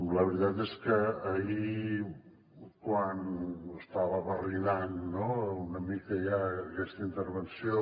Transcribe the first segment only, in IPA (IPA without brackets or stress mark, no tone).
l